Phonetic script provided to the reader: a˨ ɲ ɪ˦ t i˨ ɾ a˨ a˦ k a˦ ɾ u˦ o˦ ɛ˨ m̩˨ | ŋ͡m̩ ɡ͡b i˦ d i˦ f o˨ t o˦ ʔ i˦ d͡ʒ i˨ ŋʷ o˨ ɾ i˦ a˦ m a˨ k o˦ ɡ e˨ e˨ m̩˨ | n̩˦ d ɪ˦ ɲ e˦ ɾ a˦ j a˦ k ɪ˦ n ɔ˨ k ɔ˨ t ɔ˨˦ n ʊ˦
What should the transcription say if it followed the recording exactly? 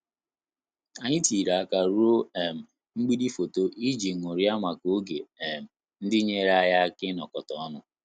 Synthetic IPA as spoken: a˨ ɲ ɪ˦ t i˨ ɾ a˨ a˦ k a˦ ɾ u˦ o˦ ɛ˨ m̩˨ | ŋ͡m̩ ɡ͡b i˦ d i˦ f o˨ t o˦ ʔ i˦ d͡ʒ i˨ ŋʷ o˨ ɾ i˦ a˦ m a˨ k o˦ ɡ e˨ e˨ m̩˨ | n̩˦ d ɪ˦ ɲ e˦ ɾ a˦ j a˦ k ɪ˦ n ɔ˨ k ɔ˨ t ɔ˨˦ n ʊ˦

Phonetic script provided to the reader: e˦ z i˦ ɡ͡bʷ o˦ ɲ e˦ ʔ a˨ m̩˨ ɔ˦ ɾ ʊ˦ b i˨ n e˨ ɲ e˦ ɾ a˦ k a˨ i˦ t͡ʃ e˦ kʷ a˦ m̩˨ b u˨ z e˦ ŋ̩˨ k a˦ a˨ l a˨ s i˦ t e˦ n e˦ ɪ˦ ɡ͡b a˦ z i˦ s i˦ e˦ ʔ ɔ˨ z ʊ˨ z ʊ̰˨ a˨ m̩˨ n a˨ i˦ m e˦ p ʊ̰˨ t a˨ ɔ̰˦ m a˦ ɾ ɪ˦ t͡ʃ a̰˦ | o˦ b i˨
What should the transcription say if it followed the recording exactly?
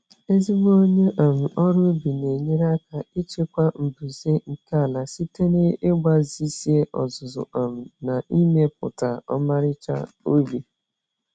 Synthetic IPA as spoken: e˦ z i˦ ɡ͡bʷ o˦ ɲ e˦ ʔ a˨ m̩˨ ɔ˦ ɾ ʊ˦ b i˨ n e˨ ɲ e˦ ɾ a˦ k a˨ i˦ t͡ʃ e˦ kʷ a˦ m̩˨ b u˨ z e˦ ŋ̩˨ k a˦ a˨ l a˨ s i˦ t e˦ n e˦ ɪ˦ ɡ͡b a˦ z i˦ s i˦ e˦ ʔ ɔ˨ z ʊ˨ z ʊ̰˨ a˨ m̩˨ n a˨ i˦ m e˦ p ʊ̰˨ t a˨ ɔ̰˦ m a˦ ɾ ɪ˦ t͡ʃ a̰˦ | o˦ b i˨

